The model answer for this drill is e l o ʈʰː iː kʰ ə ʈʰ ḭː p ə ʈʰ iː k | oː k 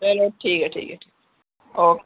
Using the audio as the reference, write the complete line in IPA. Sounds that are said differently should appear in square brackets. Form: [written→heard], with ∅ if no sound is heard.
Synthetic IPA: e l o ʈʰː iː [kʰ→k] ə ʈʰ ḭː [p→k] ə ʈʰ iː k | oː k